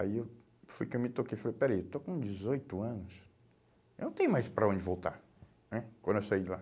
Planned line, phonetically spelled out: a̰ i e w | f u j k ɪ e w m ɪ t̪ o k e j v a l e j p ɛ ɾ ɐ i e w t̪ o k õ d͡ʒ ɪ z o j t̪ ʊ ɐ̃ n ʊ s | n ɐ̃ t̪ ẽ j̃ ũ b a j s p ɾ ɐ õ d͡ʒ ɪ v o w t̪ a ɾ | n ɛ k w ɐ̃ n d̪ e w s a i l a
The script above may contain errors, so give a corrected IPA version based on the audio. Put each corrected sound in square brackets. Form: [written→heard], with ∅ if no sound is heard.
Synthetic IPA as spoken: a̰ i e w | f u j k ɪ e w m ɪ t̪ o k e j [v→f] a l e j p ɛ ɾ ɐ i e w t̪ o k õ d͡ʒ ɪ z o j t̪ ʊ ɐ̃ n ʊ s | n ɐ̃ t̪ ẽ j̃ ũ [b→m] a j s p ɾ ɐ õ d͡ʒ ɪ v o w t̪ a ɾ | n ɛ k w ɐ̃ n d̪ e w s a i l a